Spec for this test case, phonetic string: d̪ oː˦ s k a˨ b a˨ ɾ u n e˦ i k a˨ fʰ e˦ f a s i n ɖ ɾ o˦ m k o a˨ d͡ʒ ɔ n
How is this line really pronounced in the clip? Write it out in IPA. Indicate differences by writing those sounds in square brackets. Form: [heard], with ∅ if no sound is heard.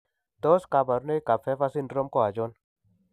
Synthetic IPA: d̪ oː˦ s k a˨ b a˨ ɾ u n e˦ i k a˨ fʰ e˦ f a s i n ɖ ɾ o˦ m k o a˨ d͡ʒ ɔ n